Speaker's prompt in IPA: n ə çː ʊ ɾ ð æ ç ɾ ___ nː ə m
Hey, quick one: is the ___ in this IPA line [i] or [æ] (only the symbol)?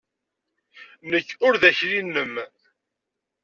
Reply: i